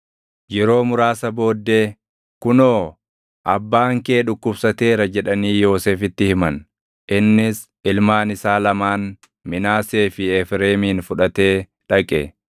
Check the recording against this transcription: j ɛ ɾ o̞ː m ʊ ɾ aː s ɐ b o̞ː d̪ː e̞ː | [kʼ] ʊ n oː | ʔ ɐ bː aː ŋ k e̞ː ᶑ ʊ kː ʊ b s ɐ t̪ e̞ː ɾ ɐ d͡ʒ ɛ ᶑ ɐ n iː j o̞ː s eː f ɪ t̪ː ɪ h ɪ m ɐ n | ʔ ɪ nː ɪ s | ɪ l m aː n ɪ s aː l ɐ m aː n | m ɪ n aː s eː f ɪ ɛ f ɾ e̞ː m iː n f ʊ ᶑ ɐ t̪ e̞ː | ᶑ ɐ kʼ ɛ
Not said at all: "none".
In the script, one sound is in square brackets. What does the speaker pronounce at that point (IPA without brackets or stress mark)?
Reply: k